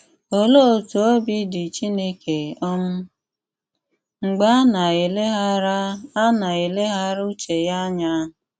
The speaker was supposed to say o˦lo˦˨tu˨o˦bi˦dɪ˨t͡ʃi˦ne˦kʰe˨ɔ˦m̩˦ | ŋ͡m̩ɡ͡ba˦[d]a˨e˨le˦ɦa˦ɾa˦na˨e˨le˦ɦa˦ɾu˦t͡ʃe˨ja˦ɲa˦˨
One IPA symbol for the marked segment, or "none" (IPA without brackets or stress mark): n